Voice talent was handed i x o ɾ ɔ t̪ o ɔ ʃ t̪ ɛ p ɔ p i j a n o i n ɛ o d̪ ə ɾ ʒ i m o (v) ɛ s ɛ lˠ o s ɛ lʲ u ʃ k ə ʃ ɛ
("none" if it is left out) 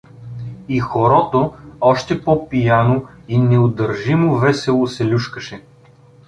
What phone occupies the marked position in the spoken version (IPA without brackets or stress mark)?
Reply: v